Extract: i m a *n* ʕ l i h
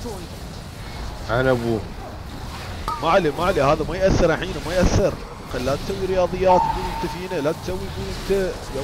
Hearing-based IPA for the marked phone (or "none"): none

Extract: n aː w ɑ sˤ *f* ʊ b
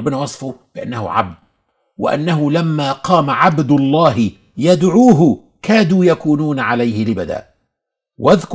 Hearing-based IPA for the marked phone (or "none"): f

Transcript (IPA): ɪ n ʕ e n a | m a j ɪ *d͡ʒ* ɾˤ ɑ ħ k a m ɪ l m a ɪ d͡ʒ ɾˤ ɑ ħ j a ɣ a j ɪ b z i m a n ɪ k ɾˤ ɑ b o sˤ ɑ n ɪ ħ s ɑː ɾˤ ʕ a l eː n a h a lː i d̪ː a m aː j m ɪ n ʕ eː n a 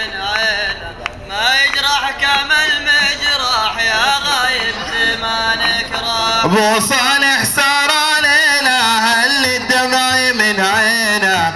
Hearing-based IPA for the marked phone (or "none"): d͡ʒ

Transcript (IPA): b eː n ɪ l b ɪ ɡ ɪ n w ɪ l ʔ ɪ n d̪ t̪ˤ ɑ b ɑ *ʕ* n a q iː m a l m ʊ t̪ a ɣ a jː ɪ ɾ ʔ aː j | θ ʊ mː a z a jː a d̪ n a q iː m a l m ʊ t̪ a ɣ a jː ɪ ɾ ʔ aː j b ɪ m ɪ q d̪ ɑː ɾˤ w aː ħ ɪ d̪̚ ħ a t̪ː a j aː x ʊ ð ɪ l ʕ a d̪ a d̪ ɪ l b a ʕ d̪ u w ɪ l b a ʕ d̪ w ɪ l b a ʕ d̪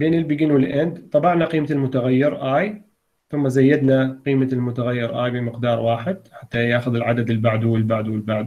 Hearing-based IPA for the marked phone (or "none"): ʕ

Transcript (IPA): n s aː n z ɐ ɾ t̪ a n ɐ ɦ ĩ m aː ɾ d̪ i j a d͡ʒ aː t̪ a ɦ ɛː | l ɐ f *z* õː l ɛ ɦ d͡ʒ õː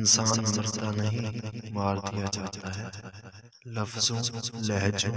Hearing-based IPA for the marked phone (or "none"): z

